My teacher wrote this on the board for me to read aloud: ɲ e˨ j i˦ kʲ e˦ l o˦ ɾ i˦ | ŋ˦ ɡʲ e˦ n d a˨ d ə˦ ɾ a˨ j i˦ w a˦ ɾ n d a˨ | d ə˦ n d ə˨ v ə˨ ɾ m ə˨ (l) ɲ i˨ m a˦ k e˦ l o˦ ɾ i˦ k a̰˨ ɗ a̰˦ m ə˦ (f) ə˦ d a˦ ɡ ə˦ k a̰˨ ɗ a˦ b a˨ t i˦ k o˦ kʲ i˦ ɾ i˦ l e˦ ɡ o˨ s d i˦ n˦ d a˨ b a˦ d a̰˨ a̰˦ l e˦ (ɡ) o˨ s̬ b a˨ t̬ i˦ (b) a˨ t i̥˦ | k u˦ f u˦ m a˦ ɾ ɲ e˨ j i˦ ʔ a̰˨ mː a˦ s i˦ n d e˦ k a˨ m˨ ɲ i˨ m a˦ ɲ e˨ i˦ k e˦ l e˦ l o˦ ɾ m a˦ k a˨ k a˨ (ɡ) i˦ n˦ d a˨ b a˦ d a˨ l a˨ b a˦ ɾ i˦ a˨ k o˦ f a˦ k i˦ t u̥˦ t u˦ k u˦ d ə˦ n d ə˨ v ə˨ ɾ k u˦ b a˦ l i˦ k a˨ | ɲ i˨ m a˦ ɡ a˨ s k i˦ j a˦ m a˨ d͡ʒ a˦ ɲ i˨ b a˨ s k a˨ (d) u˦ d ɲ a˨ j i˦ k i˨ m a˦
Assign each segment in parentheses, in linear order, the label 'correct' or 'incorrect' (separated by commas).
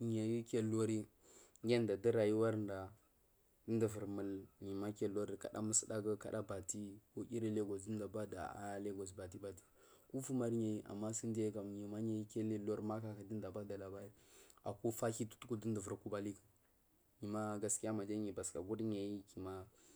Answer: correct, incorrect, correct, correct, incorrect, incorrect